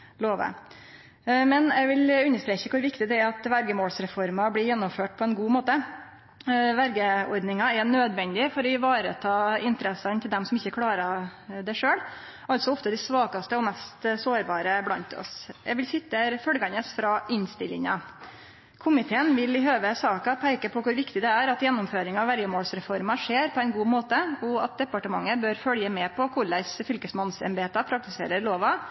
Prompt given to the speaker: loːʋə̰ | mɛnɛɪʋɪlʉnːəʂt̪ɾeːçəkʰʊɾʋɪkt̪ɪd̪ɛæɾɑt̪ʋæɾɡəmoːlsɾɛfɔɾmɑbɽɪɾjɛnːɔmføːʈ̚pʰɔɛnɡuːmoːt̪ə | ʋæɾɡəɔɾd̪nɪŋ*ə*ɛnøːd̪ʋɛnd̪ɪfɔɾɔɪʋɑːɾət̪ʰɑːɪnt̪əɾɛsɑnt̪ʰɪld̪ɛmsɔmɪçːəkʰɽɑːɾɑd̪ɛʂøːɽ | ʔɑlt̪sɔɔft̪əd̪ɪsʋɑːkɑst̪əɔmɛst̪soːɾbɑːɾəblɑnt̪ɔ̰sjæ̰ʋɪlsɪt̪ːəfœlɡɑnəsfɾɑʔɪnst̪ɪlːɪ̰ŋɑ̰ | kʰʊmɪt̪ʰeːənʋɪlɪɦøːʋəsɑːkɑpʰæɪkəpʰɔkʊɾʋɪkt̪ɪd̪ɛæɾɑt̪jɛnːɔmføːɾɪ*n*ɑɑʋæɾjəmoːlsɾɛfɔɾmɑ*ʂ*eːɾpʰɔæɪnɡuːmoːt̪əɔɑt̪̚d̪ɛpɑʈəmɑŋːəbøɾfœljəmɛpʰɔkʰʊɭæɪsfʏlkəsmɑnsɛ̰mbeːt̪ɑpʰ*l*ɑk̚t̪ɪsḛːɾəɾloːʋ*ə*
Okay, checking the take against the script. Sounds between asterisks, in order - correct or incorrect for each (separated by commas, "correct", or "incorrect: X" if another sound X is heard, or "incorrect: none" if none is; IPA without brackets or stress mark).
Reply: incorrect: ɑ, incorrect: ŋ, correct, incorrect: ɾ, incorrect: ɑ